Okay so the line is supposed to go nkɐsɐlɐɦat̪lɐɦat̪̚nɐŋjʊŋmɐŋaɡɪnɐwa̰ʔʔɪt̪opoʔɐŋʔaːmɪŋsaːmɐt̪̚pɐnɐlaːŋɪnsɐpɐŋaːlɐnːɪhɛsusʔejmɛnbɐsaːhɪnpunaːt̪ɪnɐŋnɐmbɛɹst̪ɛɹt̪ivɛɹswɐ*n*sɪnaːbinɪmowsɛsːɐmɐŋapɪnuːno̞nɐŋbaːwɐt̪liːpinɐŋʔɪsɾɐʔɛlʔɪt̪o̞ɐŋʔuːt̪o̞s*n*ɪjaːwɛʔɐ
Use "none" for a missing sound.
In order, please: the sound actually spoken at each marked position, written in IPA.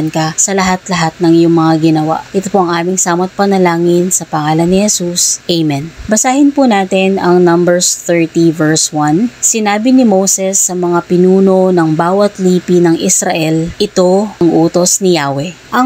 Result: n, n

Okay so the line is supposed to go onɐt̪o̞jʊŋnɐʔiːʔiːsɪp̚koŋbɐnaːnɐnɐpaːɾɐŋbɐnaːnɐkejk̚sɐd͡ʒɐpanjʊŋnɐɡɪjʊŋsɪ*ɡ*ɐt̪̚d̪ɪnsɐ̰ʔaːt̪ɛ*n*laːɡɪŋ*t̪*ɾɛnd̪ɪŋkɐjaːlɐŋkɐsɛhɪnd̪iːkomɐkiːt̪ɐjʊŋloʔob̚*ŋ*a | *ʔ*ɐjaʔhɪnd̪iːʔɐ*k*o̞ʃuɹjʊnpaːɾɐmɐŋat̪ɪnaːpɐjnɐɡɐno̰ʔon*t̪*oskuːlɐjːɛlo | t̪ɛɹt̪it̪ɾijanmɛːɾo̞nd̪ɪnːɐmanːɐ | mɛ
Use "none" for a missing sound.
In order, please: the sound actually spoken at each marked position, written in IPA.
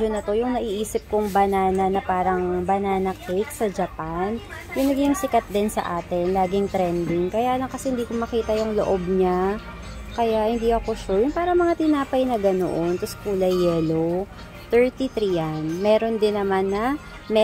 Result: k, n, t̪, ɲ, k, k, t̪

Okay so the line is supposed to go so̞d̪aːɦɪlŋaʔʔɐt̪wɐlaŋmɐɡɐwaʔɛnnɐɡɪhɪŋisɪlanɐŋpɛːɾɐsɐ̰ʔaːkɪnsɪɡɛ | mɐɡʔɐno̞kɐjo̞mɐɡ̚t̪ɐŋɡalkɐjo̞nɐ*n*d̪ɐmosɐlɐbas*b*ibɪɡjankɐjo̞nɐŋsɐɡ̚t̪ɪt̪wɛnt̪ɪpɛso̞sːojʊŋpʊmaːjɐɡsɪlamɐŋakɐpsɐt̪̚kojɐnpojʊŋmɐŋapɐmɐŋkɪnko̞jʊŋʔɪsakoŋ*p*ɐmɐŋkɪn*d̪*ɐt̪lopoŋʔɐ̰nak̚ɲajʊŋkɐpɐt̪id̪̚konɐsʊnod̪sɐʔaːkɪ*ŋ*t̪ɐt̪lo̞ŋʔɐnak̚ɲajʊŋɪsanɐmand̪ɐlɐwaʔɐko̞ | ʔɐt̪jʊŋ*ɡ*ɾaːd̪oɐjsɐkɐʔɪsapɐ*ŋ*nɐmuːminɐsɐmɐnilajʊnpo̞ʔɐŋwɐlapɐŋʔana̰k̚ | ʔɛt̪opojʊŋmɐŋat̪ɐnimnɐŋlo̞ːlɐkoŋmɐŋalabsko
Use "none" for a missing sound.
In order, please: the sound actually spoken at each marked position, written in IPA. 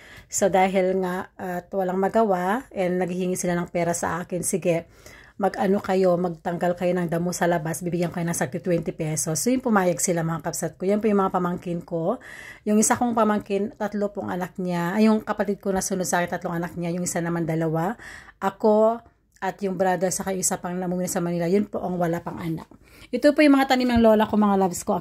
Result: ŋ, b, p, t̪, n, b, ŋ

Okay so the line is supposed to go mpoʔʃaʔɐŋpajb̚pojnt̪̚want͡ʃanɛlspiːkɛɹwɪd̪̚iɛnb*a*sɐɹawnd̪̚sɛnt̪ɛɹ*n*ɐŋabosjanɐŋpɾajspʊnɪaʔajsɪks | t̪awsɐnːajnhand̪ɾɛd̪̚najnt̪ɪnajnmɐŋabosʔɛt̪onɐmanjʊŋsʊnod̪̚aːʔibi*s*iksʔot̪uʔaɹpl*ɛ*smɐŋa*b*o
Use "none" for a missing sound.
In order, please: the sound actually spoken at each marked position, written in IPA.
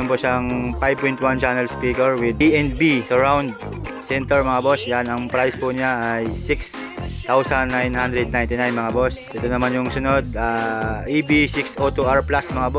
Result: i, m, s, a, b

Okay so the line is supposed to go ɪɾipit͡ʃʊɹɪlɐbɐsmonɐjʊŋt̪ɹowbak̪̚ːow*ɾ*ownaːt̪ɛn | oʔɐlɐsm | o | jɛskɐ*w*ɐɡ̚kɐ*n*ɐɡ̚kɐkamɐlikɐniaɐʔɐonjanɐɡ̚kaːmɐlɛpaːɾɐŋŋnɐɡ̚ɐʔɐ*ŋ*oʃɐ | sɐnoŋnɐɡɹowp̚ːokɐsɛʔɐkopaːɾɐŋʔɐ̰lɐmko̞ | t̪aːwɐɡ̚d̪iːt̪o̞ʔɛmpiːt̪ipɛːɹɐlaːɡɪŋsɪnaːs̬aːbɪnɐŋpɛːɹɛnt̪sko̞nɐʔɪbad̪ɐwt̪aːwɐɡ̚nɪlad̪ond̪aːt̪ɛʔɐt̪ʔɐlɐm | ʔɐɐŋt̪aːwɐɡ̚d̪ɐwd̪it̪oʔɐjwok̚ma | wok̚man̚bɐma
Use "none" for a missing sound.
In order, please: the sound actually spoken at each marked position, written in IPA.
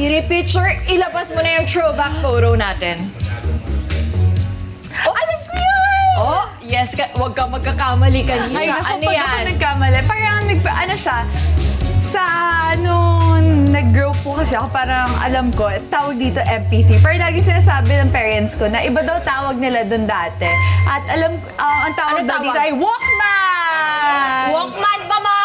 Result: ɾ, w, m, n

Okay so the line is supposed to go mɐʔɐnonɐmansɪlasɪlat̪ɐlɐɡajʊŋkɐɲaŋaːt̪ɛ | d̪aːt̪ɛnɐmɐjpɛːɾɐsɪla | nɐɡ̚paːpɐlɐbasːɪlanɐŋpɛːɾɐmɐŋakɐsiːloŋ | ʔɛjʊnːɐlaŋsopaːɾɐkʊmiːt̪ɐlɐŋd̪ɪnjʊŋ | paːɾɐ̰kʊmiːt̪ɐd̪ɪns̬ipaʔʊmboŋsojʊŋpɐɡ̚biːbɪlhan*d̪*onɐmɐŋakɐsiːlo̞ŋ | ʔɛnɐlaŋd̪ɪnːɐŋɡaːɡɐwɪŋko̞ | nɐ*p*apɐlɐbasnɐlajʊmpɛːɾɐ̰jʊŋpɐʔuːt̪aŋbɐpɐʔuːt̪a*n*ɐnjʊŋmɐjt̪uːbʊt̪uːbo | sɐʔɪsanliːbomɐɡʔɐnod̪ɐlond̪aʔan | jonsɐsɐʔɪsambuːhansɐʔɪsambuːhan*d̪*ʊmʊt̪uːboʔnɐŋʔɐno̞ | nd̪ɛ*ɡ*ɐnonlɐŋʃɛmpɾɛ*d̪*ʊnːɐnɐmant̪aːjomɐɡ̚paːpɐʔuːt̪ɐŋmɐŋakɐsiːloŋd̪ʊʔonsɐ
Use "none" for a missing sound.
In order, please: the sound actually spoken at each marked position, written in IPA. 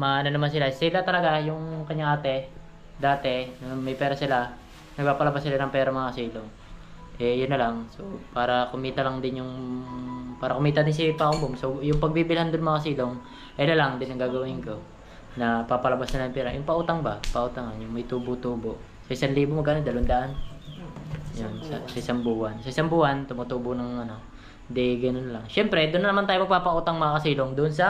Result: d̪, p, ŋ, t̪, ɡ, d̪

